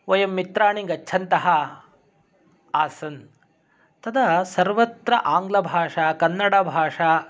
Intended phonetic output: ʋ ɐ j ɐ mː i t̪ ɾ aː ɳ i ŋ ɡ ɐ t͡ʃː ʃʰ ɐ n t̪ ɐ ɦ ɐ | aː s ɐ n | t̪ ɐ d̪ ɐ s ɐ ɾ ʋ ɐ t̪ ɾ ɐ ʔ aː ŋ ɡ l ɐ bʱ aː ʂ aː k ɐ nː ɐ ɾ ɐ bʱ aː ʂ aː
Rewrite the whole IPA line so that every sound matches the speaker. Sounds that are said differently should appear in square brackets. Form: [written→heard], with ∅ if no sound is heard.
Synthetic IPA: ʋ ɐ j ɐ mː i t̪ ɾ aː ɳ i ŋ ɡ ɐ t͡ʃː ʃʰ ɐ n t̪ ɐ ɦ ɐ | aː s ɐ n | t̪ ɐ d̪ ɐ s ɐ ɾ ʋ ɐ t̪ ɾ ɐ ʔ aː ŋ ɡ l ɐ bʱ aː ʂ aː k ɐ nː ɐ [ɾ→ɽ] ɐ bʱ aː ʂ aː